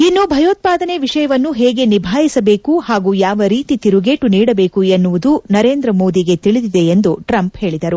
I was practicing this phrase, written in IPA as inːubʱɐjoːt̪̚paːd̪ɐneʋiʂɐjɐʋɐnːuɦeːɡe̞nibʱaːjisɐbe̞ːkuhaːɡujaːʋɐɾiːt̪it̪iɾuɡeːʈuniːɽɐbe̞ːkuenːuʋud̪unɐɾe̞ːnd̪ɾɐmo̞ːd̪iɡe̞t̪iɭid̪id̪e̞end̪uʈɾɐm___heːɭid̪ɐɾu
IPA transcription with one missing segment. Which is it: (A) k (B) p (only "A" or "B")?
B